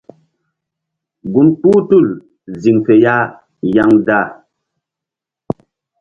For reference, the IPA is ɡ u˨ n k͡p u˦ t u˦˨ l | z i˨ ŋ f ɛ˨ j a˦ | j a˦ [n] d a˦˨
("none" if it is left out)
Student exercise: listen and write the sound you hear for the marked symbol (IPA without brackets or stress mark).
ŋ